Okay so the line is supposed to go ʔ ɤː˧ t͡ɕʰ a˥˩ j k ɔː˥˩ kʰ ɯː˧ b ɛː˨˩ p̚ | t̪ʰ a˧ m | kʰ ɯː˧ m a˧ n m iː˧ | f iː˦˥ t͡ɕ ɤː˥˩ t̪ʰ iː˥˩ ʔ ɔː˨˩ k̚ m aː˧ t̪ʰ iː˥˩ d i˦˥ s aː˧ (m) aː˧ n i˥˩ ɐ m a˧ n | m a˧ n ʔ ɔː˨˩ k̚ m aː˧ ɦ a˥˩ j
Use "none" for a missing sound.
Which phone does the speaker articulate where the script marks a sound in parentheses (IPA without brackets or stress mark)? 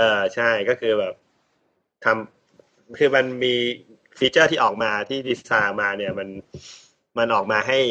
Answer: m